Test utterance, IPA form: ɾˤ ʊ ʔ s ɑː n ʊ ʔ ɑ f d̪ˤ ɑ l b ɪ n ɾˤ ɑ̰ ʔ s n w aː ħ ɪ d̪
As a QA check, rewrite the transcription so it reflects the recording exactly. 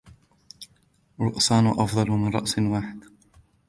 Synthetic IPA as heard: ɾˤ ʊ ʔ s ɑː n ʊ ʔ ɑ f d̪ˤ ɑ l m ɪ n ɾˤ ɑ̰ ʔ s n w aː ħ ɪ d̪